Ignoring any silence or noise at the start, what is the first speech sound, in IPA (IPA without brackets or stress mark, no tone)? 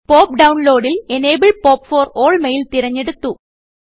p